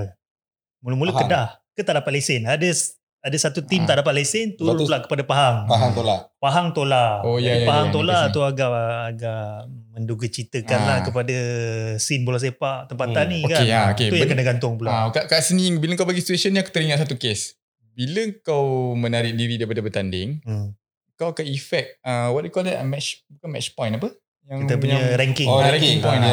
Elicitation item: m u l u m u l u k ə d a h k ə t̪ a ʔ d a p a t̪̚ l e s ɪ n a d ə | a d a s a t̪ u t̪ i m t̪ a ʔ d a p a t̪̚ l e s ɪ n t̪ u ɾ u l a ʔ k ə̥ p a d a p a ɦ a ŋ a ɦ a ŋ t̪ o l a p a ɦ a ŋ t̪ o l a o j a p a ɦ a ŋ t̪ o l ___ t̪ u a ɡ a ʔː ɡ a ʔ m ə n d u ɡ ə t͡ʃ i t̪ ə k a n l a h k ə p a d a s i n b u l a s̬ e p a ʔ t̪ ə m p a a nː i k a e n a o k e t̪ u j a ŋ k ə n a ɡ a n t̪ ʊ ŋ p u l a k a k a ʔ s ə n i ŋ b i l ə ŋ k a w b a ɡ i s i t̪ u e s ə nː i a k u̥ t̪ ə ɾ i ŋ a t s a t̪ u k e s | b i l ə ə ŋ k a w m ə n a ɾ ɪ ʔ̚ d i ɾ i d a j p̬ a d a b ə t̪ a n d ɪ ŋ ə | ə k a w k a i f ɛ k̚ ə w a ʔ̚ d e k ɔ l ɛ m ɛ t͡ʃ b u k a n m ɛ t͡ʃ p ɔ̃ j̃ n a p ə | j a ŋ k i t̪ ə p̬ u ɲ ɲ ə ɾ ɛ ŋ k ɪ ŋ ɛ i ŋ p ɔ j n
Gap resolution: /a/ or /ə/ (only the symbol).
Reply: a